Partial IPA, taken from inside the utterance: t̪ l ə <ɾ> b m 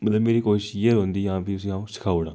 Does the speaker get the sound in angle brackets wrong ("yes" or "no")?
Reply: yes